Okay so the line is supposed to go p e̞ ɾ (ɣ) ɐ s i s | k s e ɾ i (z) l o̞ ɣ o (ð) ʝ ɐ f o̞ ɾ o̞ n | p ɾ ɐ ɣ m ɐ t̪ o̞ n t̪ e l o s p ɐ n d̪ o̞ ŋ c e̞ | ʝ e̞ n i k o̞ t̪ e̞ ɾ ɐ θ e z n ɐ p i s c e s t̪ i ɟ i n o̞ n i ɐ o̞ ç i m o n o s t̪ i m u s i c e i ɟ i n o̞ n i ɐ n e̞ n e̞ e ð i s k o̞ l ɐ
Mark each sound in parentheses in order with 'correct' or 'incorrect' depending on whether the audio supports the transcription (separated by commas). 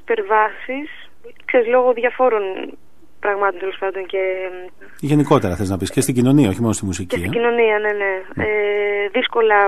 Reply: incorrect, correct, correct